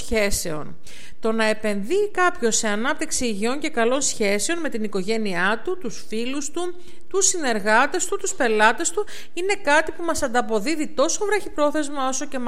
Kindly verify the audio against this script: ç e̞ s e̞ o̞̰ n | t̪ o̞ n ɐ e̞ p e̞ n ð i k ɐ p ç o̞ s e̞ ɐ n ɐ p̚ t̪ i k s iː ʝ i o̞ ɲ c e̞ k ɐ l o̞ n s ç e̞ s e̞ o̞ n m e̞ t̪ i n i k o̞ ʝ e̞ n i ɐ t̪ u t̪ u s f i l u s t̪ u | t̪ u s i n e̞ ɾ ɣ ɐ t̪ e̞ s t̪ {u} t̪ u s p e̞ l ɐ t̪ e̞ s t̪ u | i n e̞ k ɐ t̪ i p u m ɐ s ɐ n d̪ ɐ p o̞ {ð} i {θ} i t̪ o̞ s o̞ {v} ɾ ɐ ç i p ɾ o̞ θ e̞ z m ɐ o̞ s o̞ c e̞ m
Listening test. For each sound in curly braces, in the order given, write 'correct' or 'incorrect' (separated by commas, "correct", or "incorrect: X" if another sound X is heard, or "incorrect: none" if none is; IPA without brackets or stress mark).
correct, correct, incorrect: ð, correct